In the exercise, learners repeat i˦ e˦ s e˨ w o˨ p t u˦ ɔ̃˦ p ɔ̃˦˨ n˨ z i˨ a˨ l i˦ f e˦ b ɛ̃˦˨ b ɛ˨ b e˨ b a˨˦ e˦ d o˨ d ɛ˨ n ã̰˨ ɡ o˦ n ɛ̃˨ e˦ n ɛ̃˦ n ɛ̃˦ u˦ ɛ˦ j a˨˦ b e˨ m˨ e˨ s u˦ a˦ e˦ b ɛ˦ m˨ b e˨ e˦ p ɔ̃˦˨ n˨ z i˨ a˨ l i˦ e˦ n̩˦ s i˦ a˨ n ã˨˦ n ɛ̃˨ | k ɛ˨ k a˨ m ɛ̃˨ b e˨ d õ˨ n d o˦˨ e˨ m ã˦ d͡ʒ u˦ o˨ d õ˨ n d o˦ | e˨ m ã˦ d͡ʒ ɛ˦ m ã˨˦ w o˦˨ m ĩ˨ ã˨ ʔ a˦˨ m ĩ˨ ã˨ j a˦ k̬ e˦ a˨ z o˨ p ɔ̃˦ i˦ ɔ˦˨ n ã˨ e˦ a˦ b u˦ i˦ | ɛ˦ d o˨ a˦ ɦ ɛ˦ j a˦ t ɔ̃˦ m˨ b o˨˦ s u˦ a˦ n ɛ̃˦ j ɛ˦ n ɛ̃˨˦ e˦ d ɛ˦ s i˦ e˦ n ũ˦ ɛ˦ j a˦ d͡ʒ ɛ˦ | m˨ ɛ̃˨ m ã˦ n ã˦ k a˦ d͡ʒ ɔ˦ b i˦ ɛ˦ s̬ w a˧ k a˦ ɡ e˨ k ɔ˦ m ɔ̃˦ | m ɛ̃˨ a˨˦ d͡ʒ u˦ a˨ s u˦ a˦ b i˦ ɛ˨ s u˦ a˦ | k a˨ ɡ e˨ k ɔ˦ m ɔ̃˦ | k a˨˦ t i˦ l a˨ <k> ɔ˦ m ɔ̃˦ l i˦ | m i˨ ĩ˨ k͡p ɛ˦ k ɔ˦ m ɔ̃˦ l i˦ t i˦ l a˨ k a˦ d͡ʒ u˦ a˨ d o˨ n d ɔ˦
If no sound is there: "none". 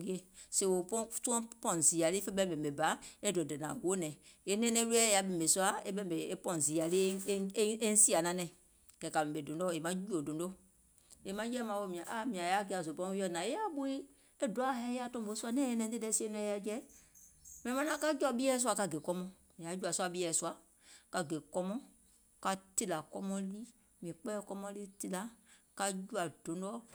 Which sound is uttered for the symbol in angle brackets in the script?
k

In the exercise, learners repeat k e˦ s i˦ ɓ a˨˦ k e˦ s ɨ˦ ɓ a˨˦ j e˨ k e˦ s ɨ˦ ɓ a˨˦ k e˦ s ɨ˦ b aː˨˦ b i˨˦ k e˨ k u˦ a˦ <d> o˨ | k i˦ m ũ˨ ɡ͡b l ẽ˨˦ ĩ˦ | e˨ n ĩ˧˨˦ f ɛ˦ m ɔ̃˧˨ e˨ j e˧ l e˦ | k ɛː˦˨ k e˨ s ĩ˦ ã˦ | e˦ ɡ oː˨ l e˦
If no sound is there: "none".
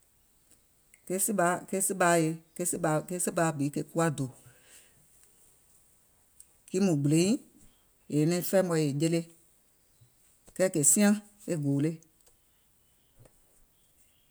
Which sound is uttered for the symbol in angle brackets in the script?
d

